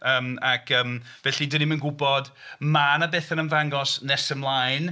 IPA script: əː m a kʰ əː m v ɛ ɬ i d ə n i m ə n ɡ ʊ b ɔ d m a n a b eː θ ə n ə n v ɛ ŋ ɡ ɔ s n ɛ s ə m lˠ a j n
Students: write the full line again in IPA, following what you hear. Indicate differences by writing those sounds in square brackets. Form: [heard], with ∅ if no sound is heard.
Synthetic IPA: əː m a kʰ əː m v ɛ ɬ i d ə n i m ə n ɡ ʊ b ɔ d m a n a b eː θ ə n ə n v [a] ŋ ɡ ɔ s n ɛ s ə m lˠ a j n